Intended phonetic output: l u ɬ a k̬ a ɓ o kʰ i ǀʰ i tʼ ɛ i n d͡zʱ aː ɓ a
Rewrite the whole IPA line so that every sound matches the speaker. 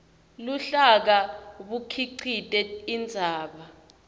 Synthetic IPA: l u ɬ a k̬ a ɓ u kʰ i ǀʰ i tʼ ɛ i n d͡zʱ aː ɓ a